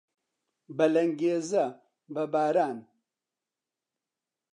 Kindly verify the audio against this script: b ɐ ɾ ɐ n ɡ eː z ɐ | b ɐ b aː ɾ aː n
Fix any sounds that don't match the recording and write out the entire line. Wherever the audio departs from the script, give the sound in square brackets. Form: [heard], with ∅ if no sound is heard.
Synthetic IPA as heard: b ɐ [l] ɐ [ŋ] ɡ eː z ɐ | b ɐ b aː ɾ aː n